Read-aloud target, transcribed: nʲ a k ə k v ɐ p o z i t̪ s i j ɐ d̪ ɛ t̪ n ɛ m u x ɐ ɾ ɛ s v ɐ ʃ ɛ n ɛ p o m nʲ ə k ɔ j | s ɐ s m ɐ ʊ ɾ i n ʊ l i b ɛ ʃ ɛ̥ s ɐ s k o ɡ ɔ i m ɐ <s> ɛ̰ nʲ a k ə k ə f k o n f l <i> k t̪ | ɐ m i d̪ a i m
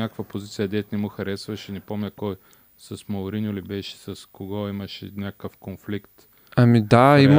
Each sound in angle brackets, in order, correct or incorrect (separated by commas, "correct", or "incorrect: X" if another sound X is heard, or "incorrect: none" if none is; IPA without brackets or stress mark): incorrect: ʃ, correct